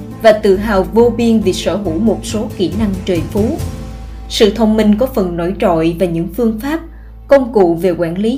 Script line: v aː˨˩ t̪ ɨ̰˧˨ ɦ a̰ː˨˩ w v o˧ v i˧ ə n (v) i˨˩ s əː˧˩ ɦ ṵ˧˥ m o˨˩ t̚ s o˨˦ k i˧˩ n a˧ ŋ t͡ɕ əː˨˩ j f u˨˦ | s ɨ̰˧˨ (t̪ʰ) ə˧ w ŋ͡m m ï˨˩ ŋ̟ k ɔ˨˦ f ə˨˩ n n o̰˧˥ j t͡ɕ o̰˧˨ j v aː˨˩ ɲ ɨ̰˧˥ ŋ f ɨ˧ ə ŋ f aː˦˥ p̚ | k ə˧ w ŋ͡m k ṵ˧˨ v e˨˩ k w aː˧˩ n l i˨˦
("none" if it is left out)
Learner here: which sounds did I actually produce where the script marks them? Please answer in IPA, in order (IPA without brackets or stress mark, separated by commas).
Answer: v, t̪ʰ